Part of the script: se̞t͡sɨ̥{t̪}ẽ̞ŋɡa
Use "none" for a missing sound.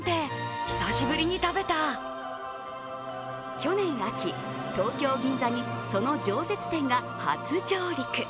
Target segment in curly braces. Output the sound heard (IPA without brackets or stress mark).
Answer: t̪